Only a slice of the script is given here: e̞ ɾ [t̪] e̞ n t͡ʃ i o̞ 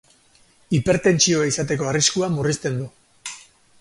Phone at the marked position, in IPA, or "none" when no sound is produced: t̪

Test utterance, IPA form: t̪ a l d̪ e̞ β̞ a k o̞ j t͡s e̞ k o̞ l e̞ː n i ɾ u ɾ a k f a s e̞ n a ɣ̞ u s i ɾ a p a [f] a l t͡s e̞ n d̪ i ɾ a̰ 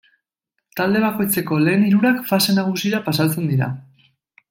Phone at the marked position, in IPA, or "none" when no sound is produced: s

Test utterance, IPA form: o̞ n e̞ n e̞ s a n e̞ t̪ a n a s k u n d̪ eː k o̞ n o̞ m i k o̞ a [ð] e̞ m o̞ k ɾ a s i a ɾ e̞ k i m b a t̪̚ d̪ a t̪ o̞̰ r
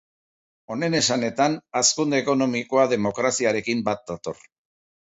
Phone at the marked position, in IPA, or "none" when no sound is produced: ð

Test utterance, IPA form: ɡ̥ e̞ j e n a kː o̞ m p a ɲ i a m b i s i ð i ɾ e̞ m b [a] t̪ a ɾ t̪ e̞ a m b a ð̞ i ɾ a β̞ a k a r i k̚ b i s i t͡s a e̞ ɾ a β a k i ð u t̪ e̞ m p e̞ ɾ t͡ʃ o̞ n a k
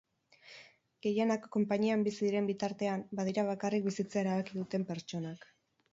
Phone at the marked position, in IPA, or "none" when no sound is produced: i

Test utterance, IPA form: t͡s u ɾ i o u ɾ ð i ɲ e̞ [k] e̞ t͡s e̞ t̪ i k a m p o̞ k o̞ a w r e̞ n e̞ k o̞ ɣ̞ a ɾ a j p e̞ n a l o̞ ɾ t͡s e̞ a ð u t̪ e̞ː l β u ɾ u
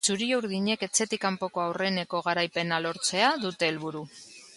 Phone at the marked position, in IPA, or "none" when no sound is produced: k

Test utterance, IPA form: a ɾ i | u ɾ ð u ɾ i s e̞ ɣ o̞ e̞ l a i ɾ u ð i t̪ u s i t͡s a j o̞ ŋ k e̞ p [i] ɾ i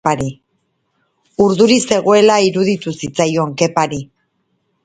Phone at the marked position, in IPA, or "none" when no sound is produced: a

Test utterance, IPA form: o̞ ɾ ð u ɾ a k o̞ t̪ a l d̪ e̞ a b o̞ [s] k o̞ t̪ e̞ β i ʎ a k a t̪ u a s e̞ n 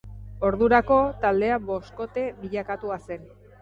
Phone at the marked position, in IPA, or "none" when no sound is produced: s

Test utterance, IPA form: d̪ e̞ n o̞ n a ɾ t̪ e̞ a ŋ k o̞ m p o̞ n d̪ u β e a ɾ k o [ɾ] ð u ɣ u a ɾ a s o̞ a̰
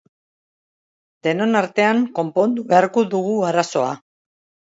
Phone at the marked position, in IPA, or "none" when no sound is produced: none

